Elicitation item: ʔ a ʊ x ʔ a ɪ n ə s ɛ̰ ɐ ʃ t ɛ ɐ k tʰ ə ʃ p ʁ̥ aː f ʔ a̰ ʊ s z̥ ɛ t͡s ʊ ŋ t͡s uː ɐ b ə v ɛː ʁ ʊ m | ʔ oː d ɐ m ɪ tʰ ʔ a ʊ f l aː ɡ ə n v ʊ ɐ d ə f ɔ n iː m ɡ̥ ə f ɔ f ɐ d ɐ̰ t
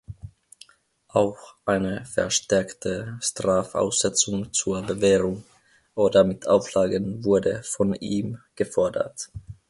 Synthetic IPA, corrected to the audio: ʔ a ʊ x ʔ a ɪ n ə f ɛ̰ ɐ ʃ t ɛ ɐ k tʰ ə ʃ t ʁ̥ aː f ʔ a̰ ʊ s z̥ ɛ t͡s ʊ ŋ t͡s uː ɐ b ə v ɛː ʁ ʊ ŋ | ʔ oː d ɐ m ɪ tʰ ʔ a ʊ f l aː ɡ ə n v ʊ ɐ d ə f ɔ n iː m ɡ̥ ə f ɔ ɐ d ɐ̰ t